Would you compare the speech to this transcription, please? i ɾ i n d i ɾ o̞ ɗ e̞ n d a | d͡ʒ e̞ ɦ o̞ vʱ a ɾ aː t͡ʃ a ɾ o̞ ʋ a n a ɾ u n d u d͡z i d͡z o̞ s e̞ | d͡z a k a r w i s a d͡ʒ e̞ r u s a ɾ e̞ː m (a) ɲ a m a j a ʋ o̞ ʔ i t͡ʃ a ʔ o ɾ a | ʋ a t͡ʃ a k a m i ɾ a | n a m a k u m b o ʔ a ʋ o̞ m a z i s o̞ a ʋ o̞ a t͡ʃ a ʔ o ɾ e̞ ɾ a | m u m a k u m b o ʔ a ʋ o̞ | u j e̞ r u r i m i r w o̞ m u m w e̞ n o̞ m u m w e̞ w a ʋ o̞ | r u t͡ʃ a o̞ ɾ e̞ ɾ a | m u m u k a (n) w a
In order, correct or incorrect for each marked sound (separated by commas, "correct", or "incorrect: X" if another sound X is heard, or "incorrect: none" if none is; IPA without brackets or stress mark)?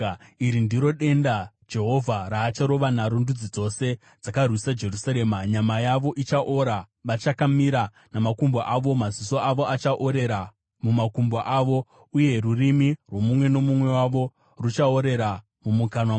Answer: correct, correct